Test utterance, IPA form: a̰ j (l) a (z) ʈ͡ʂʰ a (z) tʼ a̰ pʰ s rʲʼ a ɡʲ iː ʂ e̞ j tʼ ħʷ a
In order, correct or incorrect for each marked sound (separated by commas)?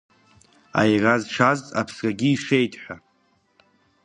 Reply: incorrect, correct, correct